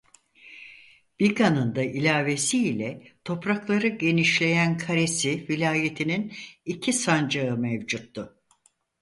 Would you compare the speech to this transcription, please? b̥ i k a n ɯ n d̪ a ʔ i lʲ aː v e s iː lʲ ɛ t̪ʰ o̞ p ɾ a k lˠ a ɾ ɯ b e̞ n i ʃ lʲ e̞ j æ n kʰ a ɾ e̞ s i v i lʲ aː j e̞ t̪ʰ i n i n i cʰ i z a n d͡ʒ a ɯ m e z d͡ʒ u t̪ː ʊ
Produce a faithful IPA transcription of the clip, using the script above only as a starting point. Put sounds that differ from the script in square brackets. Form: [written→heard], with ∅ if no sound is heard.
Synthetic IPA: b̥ i k a n ɯ n d̪ a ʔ i lʲ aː v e s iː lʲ ɛ t̪ʰ o̞ p ɾ a k lˠ a ɾ ɯ [b→ɟ] e̞ n i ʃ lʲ e̞ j æ n kʰ a ɾ e̞ s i v i lʲ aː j e̞ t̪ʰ i n i n i cʰ i [z→s] a n d͡ʒ a ɯ m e [z→v] d͡ʒ u t̪ː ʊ